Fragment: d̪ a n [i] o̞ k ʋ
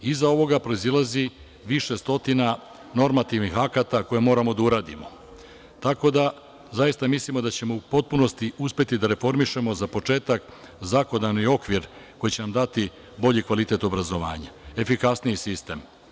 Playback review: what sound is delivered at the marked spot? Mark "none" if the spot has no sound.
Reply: i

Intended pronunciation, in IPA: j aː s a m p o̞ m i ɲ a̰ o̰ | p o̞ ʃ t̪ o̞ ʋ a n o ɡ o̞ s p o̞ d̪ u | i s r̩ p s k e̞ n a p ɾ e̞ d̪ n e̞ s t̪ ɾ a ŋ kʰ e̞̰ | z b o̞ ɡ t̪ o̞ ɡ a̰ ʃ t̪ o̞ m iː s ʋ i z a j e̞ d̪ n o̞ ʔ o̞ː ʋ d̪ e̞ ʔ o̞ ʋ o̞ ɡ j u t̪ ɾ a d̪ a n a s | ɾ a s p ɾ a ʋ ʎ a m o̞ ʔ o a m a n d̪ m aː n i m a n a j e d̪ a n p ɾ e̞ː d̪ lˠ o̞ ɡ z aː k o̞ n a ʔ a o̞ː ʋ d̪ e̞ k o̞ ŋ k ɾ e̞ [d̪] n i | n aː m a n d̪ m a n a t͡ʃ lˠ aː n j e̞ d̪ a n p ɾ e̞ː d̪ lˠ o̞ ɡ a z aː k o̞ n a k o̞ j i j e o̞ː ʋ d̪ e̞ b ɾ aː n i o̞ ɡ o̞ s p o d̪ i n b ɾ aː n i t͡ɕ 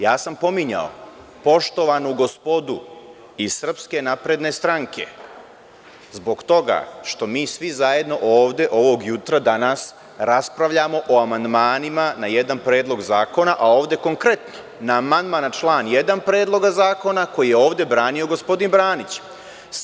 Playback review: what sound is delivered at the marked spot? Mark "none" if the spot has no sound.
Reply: t̪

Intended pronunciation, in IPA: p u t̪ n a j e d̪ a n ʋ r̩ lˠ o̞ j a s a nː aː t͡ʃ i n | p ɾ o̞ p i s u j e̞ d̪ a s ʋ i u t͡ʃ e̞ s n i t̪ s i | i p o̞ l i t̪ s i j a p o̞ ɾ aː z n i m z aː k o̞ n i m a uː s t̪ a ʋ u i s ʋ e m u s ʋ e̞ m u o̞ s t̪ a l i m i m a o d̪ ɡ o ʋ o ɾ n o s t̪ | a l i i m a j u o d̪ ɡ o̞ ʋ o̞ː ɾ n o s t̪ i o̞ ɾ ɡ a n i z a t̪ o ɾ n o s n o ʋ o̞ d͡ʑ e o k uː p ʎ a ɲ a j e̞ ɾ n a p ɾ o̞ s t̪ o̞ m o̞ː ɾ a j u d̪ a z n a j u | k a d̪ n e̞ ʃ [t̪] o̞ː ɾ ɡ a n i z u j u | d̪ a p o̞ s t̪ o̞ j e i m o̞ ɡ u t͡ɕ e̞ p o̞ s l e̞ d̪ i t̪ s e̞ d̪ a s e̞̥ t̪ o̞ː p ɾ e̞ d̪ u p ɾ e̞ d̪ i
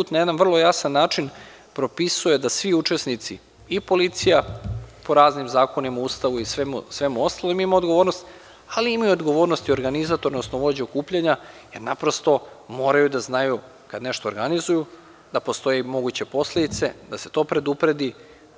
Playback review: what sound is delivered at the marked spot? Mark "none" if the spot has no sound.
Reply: t̪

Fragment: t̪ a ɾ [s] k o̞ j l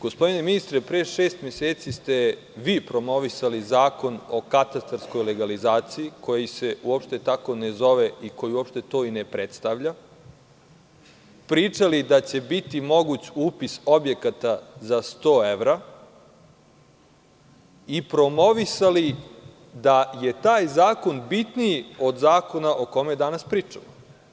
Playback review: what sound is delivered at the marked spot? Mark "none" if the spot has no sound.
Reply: s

